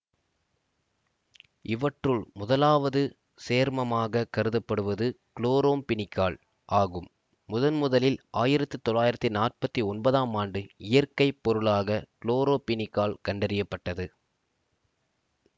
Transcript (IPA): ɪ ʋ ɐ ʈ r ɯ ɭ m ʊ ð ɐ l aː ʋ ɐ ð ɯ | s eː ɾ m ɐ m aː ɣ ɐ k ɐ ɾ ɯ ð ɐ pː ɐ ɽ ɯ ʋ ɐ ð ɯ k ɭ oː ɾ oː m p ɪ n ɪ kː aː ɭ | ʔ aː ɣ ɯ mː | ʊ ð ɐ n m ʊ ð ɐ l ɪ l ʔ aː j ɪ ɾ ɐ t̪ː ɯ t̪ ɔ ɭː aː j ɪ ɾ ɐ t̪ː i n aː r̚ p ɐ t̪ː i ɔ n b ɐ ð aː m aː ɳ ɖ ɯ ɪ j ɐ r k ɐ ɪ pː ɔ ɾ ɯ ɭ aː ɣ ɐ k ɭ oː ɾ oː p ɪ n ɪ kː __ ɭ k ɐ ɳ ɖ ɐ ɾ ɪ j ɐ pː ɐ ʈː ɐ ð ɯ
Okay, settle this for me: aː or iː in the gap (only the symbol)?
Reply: aː